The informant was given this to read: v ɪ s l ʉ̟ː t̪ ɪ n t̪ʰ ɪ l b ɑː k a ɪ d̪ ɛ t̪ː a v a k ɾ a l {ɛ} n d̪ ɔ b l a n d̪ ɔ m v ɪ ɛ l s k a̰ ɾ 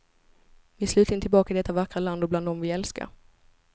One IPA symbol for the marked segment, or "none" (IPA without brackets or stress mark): a